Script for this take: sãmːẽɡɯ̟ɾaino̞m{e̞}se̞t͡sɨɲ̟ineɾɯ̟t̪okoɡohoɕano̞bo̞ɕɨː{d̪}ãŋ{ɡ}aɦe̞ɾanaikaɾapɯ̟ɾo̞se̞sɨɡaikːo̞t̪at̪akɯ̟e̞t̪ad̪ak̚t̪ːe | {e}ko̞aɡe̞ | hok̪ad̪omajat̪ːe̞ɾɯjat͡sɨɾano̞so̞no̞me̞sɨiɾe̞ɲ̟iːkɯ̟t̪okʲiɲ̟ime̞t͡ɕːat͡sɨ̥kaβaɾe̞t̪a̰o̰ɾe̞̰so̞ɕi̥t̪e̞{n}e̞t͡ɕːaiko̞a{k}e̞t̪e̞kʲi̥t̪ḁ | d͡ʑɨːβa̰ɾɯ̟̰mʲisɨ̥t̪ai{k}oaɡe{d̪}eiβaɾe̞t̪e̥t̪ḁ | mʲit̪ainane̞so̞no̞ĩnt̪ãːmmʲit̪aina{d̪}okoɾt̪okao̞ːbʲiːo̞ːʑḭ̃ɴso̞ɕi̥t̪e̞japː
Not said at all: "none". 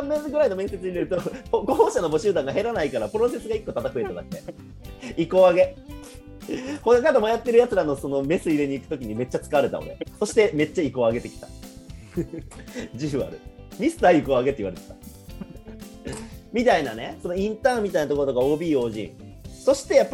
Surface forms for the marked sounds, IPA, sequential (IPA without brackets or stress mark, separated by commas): ẽ̞, d̪, ɡ, i, m, ɡ, k, t̪, t̪